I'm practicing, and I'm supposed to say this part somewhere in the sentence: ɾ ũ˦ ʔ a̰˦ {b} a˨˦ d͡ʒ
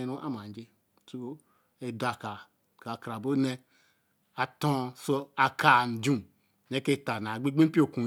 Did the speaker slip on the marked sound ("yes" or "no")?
yes